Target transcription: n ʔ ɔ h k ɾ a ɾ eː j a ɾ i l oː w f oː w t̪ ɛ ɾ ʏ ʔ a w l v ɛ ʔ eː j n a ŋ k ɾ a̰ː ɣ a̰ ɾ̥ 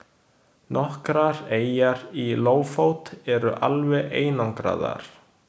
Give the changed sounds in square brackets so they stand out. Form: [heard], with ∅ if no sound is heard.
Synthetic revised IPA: n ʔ ɔ h k ɾ a ɾ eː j a ɾ i l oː w f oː w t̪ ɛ ɾ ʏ ʔ a [∅] l v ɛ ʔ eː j n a ŋ k ɾ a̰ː [ð] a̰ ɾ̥